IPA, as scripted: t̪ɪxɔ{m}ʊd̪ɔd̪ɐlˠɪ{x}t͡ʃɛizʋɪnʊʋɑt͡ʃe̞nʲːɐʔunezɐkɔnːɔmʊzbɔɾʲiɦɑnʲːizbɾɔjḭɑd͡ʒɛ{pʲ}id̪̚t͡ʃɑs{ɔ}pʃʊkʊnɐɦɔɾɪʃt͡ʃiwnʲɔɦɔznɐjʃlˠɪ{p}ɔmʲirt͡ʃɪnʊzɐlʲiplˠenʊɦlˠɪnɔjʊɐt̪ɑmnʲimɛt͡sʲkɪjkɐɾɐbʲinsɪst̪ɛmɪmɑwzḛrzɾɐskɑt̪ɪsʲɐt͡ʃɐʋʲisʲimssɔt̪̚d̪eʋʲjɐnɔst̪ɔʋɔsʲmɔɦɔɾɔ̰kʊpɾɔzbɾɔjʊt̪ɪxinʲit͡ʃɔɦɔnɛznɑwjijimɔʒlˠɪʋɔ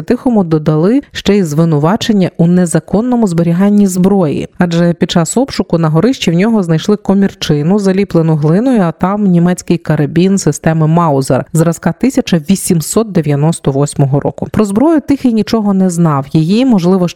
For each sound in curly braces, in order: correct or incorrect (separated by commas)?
correct, incorrect, correct, correct, incorrect